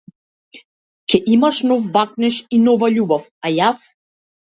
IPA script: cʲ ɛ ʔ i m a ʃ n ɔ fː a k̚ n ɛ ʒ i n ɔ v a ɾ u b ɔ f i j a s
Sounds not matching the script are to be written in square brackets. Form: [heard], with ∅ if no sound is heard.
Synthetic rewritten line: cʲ ɛ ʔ i m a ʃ n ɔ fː a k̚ n ɛ [ʃ] i n ɔ v a [ʎ] u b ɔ f [a] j a s